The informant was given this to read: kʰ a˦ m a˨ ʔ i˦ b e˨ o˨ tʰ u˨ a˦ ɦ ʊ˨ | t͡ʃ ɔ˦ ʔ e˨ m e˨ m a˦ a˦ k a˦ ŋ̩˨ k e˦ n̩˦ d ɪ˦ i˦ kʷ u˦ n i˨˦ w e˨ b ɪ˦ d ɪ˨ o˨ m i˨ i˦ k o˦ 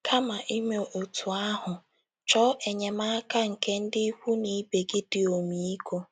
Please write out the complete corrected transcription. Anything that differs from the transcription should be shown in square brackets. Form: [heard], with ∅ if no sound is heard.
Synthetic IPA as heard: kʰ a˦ m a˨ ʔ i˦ [m] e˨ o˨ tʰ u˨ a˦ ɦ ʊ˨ | t͡ʃ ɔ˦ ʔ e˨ [ɲ] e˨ m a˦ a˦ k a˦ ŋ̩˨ k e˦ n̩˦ d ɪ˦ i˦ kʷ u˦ n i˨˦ [b] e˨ [ɡ] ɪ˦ d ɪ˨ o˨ m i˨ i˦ k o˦